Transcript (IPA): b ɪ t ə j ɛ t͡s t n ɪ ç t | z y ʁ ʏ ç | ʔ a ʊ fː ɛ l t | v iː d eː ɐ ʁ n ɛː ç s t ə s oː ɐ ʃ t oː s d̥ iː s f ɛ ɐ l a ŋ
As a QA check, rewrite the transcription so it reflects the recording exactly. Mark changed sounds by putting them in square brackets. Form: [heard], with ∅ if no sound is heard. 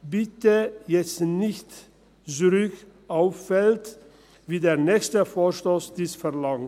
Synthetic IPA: b ɪ t ə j ɛ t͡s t n ɪ ç t | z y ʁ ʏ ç | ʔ a ʊ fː ɛ l t | v iː d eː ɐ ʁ n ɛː ç s t ə [f] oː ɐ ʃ t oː s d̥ iː s f ɛ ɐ l a ŋ

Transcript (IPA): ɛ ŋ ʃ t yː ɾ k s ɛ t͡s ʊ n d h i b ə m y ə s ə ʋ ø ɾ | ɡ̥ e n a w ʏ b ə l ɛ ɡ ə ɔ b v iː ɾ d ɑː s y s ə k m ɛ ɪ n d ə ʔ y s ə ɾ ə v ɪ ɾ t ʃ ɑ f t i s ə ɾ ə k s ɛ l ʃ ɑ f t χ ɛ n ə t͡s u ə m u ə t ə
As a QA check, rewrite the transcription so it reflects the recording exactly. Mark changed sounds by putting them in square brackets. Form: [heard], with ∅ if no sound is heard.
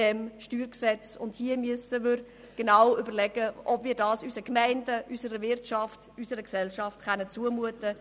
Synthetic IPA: ɛ [m] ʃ t yː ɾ k s ɛ t͡s ʊ n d h i [∅] ə m y ə s ə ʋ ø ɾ | ɡ̥ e n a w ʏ b ə l ɛ ɡ ə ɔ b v iː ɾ d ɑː s y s ə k m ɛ ɪ n d ə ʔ y s ə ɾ ə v ɪ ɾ t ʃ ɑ f t [y] s ə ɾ ə k s ɛ l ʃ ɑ f t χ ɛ n ə t͡s u ə m u ə t ə

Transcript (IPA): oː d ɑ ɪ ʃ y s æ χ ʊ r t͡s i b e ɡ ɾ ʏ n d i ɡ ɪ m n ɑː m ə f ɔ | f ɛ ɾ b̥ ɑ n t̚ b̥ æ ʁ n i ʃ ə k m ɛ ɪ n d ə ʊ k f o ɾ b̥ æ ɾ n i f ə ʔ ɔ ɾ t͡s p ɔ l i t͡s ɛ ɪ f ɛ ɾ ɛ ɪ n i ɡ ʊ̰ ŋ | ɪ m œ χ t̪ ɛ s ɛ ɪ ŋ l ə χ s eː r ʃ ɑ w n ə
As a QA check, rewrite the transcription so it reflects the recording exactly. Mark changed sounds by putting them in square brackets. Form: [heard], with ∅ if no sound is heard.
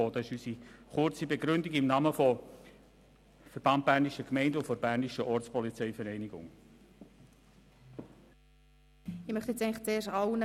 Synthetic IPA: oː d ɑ ɪ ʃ y s [i] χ ʊ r t͡s i b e ɡ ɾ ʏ n d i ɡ ɪ m n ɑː m ə f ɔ | f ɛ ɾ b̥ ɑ n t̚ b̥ æ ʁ n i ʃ ə k m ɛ ɪ n d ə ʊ [∅] f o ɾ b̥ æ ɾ n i [ʃ] ə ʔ ɔ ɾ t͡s p ɔ l i t͡s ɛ ɪ f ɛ ɾ ɛ ɪ n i ɡ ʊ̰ ŋ | ɪ m œ χ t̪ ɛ [t͡s] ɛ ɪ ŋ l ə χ [t͡s] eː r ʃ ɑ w n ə

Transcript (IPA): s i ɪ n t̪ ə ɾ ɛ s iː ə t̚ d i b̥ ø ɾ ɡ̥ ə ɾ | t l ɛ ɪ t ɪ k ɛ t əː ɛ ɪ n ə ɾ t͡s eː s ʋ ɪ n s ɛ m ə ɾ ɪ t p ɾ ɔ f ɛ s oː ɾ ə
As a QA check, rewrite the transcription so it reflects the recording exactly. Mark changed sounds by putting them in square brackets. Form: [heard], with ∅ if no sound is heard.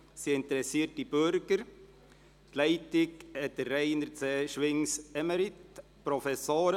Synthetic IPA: s i ɪ n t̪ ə ɾ ɛ s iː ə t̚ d i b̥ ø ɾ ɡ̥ ə ɾ | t l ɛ ɪ t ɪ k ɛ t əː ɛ ɪ n ə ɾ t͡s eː [ʃ] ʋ ɪ [ŋ] s ɛ m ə ɾ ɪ t p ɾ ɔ f ɛ s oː ɾ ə

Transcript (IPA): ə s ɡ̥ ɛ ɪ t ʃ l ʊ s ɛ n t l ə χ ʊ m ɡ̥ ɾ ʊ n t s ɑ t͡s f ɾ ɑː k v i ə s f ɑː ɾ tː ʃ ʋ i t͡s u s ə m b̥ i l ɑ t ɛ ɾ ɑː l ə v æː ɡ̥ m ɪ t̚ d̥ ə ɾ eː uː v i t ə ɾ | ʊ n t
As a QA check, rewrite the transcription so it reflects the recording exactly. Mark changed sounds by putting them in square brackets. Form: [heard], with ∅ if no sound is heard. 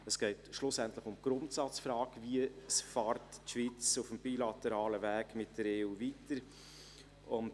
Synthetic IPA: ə s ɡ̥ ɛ ɪ t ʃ l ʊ s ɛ n t l ə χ ʊ m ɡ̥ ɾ ʊ n t s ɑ t͡s f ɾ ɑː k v i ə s f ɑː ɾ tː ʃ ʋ i t͡s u [f] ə m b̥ i l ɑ t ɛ ɾ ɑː l ə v æː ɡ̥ m ɪ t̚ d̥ ə ɾ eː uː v i t ə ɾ | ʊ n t

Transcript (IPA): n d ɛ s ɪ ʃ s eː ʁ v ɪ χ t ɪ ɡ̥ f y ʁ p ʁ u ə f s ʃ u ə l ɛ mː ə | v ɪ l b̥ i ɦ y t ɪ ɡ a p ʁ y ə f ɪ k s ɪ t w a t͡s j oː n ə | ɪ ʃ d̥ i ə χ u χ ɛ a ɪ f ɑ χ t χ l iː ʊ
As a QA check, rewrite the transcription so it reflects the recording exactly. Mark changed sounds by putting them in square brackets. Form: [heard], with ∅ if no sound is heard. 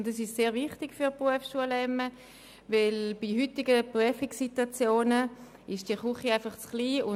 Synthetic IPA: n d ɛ s ɪ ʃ s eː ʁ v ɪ χ t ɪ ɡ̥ f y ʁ p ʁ u ə f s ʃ u ə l ɛ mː ə | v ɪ l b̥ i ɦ y t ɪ ɡ [ə] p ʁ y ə f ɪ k s [i] t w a t͡s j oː n ə | ɪ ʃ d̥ i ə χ u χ [i] a ɪ f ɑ χ [t͡s] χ l iː ʊ

